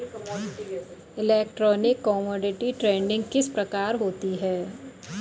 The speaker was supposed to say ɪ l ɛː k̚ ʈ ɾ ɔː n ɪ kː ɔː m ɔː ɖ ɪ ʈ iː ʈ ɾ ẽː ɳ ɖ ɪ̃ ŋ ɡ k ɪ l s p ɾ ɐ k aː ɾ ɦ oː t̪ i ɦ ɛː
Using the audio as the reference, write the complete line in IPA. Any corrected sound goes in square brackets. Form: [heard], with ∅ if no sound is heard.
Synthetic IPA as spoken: ɪ l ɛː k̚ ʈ ɾ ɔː n ɪ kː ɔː m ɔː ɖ ɪ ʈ [i] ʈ ɾ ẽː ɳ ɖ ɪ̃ ŋ ɡ k ɪ [∅] s p ɾ ɐ k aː ɾ ɦ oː t̪ i ɦ ɛː